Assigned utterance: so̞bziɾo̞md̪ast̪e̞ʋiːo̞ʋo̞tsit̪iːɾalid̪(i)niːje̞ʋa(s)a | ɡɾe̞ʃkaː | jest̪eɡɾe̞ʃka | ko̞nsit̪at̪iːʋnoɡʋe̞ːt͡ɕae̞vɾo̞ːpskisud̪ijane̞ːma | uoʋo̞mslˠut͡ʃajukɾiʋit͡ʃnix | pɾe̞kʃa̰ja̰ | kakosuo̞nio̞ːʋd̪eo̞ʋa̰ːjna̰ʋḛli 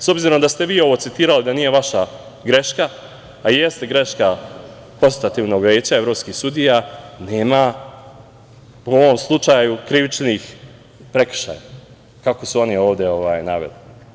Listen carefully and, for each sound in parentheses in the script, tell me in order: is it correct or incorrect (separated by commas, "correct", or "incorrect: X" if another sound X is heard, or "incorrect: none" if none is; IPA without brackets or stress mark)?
incorrect: a, incorrect: ʃ